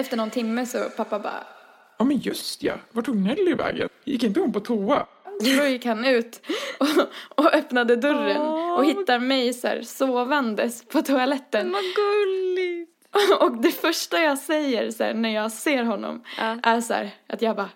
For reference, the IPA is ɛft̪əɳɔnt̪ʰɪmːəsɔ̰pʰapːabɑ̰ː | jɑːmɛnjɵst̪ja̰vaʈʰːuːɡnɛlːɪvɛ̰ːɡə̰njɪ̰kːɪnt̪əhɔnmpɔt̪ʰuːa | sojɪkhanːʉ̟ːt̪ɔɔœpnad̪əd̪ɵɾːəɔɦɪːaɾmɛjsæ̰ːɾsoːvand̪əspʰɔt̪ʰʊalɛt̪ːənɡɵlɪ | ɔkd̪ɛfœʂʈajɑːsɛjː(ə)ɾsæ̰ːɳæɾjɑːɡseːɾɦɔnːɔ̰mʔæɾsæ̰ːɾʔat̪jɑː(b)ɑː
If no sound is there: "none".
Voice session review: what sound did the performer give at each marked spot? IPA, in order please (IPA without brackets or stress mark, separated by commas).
ə, b